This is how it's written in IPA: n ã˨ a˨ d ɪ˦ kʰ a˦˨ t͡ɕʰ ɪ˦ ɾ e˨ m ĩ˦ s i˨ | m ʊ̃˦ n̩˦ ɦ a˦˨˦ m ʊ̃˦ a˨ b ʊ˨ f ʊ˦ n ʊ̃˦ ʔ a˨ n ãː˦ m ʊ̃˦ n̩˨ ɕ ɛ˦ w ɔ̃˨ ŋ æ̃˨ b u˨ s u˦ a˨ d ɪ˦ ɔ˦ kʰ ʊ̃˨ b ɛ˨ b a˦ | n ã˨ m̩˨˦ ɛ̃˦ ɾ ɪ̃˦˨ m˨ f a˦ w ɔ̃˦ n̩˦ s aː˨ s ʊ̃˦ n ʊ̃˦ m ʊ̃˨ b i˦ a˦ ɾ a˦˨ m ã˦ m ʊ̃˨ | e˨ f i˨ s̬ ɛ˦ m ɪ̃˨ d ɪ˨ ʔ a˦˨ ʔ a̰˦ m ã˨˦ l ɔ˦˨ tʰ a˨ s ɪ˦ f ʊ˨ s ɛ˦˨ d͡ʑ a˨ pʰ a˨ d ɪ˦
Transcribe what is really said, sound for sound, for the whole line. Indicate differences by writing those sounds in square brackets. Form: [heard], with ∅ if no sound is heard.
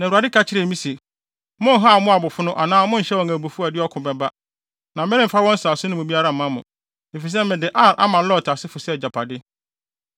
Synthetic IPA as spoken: n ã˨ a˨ d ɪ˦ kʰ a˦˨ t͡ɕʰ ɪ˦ ɾ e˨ m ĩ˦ s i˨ | m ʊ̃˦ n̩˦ ɦ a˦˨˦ m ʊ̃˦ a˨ b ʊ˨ f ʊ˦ n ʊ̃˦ ʔ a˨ n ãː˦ m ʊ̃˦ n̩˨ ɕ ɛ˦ w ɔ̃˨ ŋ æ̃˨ b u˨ [f] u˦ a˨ d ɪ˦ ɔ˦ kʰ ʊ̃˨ b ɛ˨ b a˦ | n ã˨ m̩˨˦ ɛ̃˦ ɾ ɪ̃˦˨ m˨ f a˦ w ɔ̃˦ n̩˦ s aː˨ s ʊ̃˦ n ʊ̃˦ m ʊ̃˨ b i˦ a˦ ɾ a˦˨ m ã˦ m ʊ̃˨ | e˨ f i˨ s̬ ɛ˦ m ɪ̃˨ d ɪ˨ ʔ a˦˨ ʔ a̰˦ m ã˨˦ l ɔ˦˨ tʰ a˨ s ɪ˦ f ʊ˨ s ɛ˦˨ d͡ʑ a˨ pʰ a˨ d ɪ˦